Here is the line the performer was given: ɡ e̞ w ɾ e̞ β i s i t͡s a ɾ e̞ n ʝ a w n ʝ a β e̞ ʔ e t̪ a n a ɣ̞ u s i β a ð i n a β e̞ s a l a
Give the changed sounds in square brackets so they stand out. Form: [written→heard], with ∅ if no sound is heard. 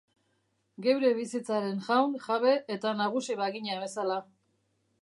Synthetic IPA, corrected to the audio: ɡ e̞ w ɾ e̞ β i s i t͡s a ɾ e̞ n ʝ a w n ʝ a β e̞ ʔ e t̪ a n a ɣ̞ u s i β a [ð→ɣ] i [n→ɲ] a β e̞ s a l a